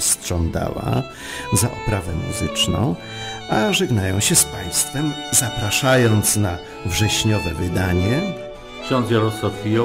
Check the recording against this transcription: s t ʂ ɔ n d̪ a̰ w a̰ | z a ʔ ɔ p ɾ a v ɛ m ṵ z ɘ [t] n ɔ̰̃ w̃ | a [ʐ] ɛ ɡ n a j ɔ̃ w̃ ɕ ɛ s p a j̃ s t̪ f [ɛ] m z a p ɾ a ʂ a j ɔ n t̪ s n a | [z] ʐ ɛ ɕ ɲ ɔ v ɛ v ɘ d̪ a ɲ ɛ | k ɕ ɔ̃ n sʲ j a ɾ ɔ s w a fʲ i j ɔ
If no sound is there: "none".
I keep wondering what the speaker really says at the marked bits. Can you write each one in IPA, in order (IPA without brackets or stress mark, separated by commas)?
t͡ʂ, ʐ, ɛ, v